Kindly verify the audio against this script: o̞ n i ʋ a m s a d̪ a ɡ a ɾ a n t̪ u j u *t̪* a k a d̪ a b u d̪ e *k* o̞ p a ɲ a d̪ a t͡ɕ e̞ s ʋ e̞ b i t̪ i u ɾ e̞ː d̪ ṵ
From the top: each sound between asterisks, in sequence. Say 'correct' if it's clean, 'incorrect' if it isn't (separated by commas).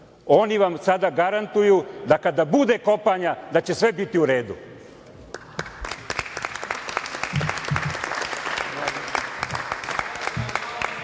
incorrect, correct